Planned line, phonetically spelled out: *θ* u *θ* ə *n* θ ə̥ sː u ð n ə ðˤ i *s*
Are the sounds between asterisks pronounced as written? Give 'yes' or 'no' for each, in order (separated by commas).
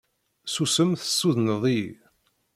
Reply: no, no, no, no